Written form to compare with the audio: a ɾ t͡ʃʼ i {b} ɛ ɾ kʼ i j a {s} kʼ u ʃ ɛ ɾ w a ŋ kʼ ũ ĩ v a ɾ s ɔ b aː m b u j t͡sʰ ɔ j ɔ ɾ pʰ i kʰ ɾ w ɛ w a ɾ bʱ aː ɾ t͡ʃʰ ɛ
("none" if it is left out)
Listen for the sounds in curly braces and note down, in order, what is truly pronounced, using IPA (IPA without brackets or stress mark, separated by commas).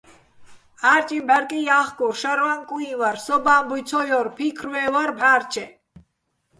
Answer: b, χ